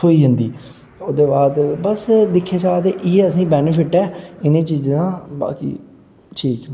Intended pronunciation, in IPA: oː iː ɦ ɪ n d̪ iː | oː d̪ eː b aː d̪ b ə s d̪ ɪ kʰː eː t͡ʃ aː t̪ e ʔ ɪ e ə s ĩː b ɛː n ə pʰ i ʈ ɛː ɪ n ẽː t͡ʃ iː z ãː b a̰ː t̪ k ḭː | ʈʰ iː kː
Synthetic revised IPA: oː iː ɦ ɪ n d̪ iː | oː d̪ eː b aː d̪ b ə s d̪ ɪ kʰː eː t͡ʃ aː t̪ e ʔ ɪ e ə s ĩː b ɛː n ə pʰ ɪ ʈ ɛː ɪ n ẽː t͡ʃ iː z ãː b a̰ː k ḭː | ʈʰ iː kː

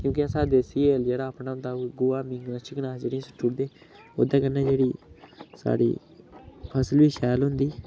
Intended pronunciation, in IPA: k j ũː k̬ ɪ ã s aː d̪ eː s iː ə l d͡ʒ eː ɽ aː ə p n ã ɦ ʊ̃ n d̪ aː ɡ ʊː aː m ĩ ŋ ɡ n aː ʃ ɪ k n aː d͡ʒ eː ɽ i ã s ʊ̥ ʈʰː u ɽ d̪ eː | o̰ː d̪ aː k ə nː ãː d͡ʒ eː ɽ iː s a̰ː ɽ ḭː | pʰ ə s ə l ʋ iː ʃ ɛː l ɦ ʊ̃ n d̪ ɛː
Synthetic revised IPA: k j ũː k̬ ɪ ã s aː d̪ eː s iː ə l d͡ʒ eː ɽ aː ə p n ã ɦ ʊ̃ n d̪ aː ɡ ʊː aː m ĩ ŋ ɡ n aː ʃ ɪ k n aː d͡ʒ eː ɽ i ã s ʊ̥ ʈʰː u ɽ d̪ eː | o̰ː d̪ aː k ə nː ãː d͡ʒ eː ɽ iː s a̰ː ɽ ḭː | pʰ ə s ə l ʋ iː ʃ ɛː l ɦ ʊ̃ n d̪ iː

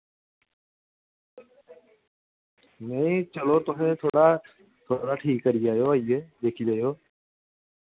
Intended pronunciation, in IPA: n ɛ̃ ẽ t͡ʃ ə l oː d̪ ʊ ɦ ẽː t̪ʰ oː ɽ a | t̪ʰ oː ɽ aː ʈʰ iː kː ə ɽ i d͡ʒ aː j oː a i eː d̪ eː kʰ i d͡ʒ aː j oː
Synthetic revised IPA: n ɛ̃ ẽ t͡ʃ ə l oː t̪ ʊ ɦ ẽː t̪ʰ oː ɽ a | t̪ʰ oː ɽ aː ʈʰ iː kː ə ɾ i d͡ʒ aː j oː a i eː d̪ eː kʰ i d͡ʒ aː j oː

